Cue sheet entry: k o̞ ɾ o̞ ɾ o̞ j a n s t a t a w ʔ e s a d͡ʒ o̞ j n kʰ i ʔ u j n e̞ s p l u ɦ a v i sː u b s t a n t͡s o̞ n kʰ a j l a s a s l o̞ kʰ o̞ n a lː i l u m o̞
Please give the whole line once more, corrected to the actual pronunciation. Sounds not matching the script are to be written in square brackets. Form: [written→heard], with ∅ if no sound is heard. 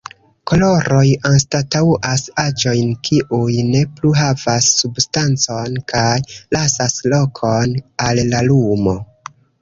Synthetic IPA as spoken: k o̞ [ɾ→l] o̞ ɾ o̞ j a n s t a t a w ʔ [e→a] s a d͡ʒ o̞ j n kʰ i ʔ u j n e̞ [s→∅] p l u ɦ a v [i→a] sː u b s t a n t͡s o̞ n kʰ a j l a s a s l o̞ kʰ o̞ n a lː [i→a] l u m o̞